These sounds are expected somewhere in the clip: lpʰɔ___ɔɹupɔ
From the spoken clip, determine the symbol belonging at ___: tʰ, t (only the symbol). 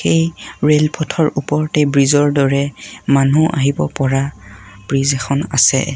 tʰ